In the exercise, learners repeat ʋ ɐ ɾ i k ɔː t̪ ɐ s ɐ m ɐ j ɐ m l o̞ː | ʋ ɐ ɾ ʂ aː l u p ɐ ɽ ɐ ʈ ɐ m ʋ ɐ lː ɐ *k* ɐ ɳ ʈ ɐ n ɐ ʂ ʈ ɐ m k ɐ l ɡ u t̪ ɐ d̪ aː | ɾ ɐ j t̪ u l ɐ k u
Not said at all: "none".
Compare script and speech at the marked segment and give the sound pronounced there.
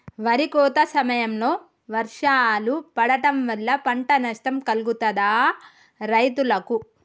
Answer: p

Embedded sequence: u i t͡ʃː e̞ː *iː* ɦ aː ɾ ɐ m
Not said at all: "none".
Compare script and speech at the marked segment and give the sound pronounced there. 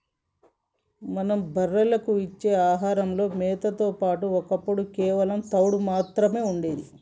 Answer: aː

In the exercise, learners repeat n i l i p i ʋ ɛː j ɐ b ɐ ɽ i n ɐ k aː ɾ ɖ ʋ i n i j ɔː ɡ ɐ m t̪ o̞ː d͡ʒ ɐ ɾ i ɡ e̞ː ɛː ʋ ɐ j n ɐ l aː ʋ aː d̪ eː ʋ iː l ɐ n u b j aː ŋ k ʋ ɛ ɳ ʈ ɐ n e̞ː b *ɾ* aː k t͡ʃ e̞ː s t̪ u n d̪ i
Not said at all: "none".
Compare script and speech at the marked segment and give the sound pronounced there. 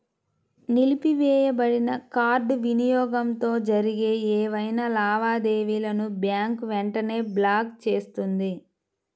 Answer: l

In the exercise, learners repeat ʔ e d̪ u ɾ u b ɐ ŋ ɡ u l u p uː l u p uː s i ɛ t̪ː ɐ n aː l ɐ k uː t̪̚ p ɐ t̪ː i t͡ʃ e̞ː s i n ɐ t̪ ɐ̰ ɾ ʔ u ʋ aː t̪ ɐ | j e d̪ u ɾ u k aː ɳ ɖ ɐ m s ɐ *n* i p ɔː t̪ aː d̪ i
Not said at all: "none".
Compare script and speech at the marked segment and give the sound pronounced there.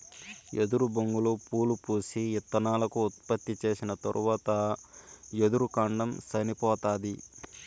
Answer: n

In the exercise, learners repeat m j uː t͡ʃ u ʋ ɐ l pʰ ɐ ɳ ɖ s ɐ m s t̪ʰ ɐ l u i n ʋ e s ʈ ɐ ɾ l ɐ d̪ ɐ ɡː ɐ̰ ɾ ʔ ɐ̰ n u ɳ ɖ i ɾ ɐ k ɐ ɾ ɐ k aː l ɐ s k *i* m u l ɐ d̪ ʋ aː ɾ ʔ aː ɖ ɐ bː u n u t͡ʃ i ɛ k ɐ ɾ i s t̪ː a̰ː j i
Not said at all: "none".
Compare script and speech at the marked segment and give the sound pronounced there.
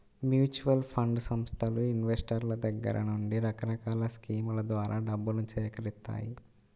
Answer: iː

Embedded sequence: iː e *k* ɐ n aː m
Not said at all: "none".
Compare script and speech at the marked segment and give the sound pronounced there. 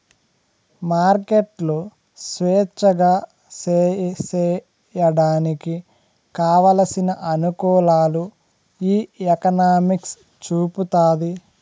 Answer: k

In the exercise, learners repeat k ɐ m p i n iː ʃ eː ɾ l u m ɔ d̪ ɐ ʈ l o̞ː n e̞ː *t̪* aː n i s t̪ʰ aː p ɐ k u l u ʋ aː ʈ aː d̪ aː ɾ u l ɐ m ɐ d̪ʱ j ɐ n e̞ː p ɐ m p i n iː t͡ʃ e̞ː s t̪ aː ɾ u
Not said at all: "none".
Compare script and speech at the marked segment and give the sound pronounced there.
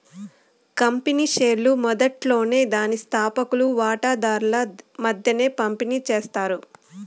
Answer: d̪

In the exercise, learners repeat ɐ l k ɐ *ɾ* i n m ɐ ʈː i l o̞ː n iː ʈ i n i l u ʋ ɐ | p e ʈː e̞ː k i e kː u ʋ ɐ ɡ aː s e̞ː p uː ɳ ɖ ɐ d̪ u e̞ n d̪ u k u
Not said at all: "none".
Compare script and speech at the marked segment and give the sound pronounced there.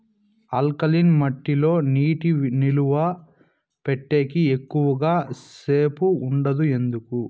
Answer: l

